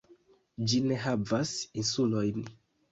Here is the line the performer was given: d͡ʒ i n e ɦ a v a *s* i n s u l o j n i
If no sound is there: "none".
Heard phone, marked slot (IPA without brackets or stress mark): s